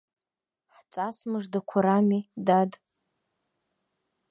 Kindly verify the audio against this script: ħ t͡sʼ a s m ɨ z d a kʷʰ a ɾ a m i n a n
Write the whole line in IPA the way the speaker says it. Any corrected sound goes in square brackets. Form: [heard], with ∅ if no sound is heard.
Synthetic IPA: ħ t͡sʼ a s m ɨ [ʐ] d a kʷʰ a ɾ a m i [d] a [d]

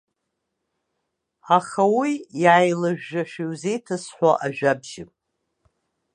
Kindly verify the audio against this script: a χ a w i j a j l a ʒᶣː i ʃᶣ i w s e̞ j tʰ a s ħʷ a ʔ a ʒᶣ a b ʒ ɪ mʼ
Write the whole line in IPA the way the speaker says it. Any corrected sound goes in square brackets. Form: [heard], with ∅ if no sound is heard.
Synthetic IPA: a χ a w i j a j l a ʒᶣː [a] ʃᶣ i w [z] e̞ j tʰ a s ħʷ a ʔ a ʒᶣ a b ʒ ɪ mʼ

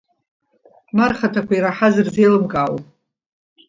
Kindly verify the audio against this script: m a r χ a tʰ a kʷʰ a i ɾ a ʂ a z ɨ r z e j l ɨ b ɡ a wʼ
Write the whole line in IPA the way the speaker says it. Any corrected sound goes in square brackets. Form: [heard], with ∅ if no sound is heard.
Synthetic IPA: m a r χ a tʰ a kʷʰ a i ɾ a [ħ] a z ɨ r z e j l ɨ [m] ɡ a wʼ

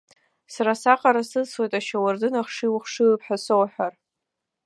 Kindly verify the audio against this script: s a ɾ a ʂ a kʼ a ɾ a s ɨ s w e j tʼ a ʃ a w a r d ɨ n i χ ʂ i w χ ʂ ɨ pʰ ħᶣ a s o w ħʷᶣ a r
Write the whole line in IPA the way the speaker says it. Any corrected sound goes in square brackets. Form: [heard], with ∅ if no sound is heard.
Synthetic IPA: s a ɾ a [s] a [qʼ] a ɾ a s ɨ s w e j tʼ a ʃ a w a r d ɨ n [a] χ ʂ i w χ ʂ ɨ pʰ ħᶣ a s o w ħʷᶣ a r

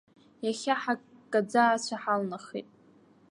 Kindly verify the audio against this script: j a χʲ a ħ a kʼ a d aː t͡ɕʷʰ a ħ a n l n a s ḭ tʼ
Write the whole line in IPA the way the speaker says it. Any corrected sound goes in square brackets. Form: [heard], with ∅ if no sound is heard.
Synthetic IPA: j a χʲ a ħ a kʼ a [d͡z] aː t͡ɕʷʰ a ħ a [∅] l n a [χ] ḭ tʼ

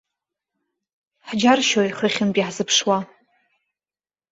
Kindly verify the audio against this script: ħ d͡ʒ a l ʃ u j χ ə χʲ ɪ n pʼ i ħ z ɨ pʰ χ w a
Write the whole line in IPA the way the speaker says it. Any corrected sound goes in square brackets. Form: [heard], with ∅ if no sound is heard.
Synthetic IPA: ħ d͡ʒ a [r] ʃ [o] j χ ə χʲ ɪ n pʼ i ħ z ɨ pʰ [ʂ] w a

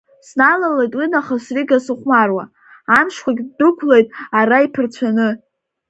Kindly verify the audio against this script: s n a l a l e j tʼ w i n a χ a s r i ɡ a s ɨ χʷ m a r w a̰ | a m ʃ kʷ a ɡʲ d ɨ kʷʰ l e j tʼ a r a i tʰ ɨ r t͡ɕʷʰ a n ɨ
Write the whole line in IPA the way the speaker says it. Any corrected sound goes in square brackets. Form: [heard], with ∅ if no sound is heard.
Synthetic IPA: s n a l a l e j tʼ w i n a χ a s r i ɡ a s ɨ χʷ m a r w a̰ | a m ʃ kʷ a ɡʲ d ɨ kʷʰ l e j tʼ a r a i [pʰ] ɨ r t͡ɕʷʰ a n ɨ

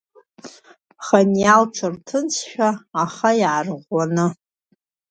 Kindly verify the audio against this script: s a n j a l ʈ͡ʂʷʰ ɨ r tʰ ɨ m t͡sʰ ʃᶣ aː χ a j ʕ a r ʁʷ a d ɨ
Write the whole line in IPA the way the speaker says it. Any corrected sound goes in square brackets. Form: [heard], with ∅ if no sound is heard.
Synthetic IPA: [χ] a n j a l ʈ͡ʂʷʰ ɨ r tʰ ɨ [n] t͡sʰ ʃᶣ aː χ a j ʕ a r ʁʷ a [n] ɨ

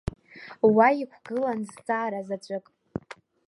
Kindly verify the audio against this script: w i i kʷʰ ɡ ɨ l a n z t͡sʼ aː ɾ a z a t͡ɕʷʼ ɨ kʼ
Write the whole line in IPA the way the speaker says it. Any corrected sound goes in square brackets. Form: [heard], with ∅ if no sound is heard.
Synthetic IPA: w [a] i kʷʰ ɡ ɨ l a n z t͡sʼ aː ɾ a z a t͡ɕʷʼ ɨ kʼ

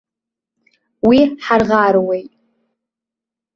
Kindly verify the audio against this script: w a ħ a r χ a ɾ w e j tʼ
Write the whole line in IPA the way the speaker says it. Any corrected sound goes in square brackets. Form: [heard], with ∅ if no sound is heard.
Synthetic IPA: w [i] ħ a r [ʁ] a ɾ w e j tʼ

